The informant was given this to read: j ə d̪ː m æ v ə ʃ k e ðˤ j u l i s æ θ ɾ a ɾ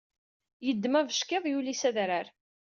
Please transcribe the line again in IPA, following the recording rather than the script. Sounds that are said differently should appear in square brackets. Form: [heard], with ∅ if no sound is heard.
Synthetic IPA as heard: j ə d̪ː m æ v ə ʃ k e ðˤ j u l i s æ [ð] ɾ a ɾ